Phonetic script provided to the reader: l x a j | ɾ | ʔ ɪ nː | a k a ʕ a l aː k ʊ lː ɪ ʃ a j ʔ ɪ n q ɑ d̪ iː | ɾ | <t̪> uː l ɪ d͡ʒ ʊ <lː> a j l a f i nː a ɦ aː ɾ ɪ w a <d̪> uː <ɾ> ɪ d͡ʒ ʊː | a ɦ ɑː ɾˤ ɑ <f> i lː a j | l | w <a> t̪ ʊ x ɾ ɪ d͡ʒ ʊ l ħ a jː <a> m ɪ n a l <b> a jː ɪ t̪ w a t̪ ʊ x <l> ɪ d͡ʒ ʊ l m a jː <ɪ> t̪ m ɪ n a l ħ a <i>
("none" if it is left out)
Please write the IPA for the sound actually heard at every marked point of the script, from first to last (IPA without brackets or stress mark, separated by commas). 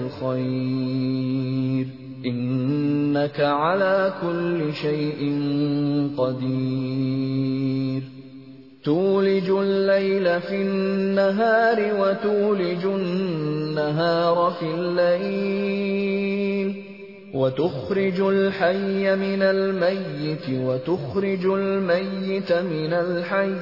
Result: t̪, lː, t̪, l, f, a, a, m, ɾ, ɪ, j